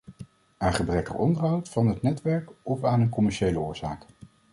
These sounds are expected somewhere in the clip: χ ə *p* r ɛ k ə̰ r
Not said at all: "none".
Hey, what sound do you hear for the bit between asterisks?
b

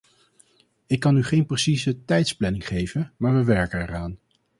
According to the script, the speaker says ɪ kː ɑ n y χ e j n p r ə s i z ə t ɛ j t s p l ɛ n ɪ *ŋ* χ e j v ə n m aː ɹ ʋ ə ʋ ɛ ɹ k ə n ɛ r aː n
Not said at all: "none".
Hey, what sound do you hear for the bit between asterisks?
ŋ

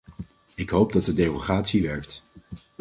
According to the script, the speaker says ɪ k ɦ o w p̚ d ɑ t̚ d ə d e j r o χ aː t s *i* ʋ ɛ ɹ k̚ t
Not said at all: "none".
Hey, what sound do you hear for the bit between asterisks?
i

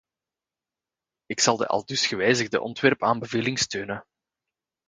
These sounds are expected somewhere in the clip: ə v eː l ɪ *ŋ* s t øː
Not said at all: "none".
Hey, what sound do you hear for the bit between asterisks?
ŋ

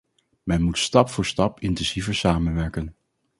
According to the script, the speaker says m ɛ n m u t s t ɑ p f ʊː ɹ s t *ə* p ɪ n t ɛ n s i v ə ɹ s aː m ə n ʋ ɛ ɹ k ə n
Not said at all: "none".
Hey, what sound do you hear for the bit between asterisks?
ɑ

